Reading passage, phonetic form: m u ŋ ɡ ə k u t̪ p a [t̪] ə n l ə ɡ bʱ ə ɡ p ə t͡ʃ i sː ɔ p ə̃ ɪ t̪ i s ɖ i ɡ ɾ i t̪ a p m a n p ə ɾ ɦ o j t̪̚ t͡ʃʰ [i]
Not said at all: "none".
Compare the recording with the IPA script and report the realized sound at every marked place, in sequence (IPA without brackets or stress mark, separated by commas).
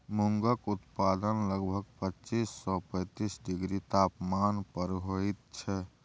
d̪, ɛ